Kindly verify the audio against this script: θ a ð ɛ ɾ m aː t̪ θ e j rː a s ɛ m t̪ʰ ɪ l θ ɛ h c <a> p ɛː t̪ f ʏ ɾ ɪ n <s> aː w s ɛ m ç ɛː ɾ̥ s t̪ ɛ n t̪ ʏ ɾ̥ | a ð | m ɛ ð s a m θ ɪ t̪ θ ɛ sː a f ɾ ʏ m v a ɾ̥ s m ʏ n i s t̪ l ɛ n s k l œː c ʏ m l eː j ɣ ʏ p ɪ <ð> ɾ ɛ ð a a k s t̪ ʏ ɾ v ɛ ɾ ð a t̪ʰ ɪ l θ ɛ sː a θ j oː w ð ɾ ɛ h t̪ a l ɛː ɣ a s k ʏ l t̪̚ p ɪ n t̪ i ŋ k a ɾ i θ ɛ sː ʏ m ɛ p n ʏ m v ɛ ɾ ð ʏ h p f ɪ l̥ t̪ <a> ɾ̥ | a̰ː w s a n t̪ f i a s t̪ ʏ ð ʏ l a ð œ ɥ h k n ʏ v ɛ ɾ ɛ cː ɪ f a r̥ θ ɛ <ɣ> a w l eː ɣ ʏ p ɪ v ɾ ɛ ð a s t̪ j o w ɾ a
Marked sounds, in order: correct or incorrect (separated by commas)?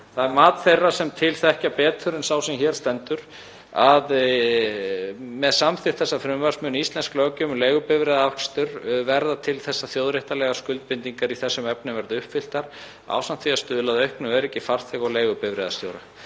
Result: correct, correct, incorrect, correct, correct